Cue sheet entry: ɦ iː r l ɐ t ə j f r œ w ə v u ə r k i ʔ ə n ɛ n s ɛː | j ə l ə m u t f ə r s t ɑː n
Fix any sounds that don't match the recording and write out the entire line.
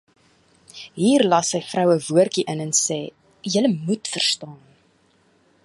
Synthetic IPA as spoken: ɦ iː r l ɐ s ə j f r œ w ə v u ə r k i ʔ ə n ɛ n s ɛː | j ə l ə m u t f ə r s t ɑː n